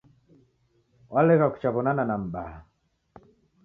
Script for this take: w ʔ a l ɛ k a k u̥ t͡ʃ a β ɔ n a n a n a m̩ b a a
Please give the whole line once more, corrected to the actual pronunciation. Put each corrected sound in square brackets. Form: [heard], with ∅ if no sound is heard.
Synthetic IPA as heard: w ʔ a l ɛ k a k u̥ t͡ʃ a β ɔ n a n a n a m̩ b a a